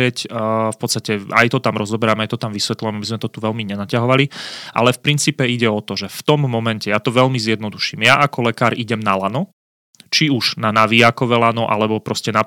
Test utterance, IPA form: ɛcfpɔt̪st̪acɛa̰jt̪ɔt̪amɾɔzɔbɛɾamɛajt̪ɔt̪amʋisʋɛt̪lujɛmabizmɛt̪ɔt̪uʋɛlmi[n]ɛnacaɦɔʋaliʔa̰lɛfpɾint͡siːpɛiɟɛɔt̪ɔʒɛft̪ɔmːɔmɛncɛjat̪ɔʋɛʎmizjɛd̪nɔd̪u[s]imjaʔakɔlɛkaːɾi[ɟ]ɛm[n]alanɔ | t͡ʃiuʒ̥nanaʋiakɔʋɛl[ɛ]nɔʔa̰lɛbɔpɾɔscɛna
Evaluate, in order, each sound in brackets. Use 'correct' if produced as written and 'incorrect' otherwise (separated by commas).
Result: incorrect, incorrect, correct, correct, incorrect